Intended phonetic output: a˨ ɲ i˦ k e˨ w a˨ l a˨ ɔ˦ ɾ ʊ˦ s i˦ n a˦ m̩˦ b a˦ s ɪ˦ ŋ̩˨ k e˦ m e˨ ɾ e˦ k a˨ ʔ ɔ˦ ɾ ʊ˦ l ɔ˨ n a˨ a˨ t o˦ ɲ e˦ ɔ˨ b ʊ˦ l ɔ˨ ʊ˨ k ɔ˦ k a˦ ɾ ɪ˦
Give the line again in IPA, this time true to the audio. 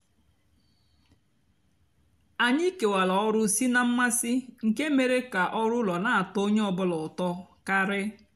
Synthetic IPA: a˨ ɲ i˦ k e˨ w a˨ l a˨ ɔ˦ ɾ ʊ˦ s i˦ n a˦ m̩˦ m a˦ s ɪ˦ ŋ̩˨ k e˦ m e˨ ɾ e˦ k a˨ ʔ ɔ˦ ɾ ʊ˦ l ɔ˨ n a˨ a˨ t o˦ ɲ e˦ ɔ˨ b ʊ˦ l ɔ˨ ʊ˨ t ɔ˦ k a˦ ɾ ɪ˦